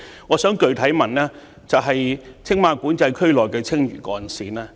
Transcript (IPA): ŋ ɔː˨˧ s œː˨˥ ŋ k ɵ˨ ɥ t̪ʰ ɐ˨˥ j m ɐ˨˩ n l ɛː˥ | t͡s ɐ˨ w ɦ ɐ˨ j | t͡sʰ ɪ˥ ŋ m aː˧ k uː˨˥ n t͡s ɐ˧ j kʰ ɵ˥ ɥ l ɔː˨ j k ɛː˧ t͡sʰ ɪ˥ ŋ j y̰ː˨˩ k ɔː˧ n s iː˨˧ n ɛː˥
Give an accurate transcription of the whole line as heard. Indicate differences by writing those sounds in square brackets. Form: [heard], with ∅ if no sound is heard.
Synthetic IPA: ŋ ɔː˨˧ s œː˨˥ ŋ k ɵ˨ ɥ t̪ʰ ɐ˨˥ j m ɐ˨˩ n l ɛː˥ | t͡s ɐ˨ w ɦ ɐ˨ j | t͡sʰ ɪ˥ ŋ m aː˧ k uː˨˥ n t͡s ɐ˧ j kʰ ɵ˥ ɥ l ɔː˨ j k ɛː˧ t͡sʰ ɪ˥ ŋ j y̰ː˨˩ k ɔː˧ n s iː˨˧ n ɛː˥

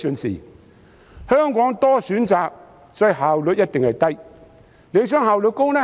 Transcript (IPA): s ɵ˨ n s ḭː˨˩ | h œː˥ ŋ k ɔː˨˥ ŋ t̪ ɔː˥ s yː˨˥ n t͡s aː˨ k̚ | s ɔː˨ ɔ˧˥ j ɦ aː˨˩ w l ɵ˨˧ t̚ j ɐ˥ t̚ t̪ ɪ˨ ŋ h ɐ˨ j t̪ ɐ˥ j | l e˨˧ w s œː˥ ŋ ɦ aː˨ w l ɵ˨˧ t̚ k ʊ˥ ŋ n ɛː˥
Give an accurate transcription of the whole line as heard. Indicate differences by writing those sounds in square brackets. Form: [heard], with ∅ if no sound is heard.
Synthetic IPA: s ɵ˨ n s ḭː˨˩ | h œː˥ ŋ k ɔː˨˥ ŋ t̪ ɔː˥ s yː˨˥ n t͡s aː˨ k̚ | s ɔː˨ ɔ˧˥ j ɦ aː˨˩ w l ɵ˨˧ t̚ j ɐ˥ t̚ t̪ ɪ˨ ŋ h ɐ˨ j t̪ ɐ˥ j | l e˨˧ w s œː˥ ŋ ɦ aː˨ w l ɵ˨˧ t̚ k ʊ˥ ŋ n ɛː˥

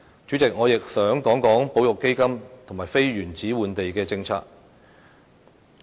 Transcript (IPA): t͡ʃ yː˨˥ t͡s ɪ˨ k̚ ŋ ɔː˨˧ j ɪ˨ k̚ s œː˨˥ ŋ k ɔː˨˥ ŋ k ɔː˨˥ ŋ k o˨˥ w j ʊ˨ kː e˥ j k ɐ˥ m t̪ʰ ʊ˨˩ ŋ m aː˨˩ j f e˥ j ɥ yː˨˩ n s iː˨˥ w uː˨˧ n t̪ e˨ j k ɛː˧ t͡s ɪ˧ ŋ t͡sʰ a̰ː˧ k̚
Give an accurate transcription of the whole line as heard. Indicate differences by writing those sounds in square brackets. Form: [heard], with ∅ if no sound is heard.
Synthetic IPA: t͡ʃ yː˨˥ t͡s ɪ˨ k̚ ŋ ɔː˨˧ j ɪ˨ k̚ s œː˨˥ ŋ k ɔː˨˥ ŋ k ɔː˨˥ ŋ [p] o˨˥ w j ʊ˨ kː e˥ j k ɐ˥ m t̪ʰ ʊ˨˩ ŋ m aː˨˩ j f e˥ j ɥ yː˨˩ n [t͡s] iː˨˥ w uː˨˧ n t̪ e˨ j k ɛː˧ t͡s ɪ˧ ŋ t͡sʰ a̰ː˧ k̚

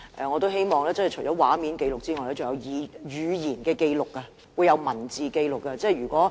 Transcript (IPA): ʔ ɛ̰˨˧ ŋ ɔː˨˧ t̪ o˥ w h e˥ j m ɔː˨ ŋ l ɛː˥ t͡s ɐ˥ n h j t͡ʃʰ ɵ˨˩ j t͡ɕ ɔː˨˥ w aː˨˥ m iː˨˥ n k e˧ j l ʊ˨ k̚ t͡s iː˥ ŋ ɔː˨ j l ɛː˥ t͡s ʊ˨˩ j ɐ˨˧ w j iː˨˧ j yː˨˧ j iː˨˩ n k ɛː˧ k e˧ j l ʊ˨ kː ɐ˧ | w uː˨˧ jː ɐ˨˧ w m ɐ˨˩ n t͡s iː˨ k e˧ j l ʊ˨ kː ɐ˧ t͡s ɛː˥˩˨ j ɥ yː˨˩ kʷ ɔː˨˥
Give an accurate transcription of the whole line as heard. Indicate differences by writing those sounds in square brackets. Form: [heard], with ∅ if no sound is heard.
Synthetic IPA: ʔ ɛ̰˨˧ ŋ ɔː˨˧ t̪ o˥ w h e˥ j m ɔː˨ ŋ l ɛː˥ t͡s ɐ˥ n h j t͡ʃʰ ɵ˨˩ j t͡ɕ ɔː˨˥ w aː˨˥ m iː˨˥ n k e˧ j l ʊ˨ k̚ t͡s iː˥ ŋ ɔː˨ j l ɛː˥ t͡s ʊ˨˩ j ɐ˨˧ w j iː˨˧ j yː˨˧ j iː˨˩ n k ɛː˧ k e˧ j l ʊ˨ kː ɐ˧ | w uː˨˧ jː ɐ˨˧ w m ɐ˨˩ n t͡s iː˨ k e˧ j l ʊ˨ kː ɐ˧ t͡s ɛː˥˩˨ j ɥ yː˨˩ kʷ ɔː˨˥

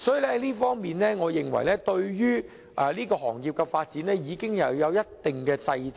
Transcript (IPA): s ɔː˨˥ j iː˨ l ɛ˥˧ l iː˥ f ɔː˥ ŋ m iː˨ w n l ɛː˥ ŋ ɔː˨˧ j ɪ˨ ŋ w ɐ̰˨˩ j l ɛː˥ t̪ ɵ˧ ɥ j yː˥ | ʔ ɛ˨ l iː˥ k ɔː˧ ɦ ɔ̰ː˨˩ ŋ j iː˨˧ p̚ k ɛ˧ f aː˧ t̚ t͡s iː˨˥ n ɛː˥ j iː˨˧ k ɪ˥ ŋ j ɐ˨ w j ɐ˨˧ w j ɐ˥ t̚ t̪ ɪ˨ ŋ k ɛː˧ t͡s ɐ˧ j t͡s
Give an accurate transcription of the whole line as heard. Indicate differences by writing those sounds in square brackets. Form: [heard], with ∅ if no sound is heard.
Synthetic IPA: s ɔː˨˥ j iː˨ l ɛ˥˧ l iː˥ f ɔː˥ ŋ m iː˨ [∅] n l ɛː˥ ŋ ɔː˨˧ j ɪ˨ ŋ w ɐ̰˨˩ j l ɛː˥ t̪ ɵ˧ ɥ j yː˥ | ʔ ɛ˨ l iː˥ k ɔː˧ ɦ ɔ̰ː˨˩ ŋ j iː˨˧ p̚ k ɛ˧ f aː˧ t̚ t͡s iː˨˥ n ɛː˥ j iː˨˧ k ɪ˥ ŋ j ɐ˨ w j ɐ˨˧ w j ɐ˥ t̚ t̪ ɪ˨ ŋ k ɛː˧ t͡s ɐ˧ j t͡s

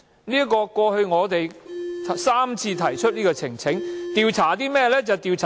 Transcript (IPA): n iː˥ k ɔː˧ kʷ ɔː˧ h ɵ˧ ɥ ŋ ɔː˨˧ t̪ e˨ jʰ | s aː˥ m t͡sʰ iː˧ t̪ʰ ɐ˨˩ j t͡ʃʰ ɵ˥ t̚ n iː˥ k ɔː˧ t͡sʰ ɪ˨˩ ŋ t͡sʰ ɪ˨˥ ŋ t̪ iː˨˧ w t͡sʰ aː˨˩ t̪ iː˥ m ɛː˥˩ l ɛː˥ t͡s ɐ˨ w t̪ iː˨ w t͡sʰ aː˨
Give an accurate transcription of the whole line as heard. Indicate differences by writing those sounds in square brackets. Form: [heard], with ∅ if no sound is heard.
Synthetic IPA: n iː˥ k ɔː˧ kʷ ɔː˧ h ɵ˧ ɥ ŋ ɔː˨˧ t̪ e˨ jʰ | s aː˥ m t͡sʰ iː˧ t̪ʰ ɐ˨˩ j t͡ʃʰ ɵ˥ t̚ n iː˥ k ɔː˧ t͡sʰ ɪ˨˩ ŋ t͡sʰ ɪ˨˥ ŋ t̪ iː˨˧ w t͡sʰ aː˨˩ t̪ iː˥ m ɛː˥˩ l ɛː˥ t͡s ɐ˨ w t̪ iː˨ w t͡sʰ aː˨

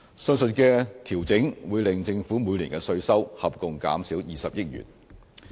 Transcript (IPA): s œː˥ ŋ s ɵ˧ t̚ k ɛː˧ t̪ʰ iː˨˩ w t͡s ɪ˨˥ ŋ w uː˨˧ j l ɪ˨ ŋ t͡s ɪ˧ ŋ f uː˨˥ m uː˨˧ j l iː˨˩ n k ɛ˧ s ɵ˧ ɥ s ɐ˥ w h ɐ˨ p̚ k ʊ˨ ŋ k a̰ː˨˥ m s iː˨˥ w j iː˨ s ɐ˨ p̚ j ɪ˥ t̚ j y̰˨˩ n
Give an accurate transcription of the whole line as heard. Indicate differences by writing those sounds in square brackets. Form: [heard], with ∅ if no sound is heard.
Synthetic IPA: s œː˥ ŋ s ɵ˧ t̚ k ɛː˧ t̪ʰ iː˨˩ w t͡s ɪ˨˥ ŋ w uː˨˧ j l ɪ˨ ŋ t͡s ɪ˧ ŋ f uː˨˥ m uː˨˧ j l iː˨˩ n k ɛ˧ s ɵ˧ ɥ s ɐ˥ w h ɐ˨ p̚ k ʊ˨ ŋ k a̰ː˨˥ m s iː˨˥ w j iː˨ s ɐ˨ p̚ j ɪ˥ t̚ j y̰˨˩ n

